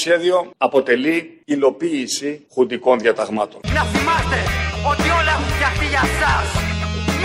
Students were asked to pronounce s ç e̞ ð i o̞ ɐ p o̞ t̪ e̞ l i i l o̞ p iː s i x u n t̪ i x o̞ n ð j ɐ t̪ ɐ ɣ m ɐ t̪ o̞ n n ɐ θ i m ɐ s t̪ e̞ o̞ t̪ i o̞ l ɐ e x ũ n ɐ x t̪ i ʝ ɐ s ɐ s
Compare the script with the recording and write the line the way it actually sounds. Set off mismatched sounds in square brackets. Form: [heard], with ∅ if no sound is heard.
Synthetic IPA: s ç e̞ ð i o̞ ɐ p o̞ t̪ e̞ l i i l o̞ p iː s i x u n [d̪] i [k] o̞ n ð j ɐ t̪ ɐ ɣ m ɐ t̪ o̞ n n ɐ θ i m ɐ s t̪ e̞ o̞ t̪ i o̞ l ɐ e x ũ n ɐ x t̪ i ʝ ɐ s ɐ s